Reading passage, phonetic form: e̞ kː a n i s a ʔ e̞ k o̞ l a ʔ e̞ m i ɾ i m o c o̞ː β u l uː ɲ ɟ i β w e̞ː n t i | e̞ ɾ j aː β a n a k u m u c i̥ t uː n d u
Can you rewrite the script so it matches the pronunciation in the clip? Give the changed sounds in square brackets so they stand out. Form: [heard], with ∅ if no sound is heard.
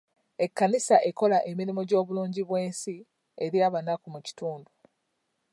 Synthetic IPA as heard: e̞ kː a n i s a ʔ e̞ k o̞ l a ʔ e̞ m i ɾ i m o [ɟ] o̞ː β u l uː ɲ ɟ i β w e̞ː n [s] i | e̞ ɾ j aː β a n a k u m u c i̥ t uː n d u